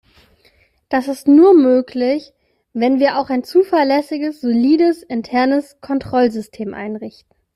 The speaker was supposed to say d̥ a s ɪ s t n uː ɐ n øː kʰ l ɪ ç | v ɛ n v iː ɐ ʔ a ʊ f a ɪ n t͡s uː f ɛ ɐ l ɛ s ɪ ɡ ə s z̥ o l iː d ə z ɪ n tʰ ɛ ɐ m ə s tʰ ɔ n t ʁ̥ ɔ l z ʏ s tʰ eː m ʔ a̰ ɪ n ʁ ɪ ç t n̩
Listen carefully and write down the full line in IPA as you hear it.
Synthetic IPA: d̥ a s ɪ s t n uː ɐ m øː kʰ l ɪ ç | v ɛ n v iː ɐ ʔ a ʊ x a ɪ n t͡s uː f ɛ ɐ l ɛ s ɪ ɡ ə s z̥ o l iː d ə s ɪ n tʰ ɛ ɐ n ə s kʰ ɔ n t ʁ̥ ɔ l z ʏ s tʰ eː m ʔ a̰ ɪ n ʁ ɪ ç t n̩